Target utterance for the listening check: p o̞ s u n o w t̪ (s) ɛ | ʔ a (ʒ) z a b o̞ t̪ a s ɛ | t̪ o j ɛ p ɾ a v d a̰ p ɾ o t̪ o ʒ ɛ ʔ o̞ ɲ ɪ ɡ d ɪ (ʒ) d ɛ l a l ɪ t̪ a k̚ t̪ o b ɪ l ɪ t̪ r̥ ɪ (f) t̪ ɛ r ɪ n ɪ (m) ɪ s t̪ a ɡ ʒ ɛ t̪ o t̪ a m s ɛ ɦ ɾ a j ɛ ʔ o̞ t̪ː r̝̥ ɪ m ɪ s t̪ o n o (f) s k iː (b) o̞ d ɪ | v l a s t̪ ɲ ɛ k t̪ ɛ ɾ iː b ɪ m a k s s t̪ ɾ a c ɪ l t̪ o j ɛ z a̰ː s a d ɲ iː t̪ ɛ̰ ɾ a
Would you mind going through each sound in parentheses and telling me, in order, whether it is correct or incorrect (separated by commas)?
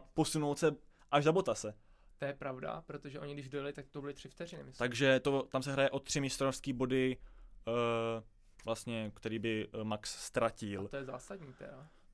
correct, correct, correct, correct, correct, correct, correct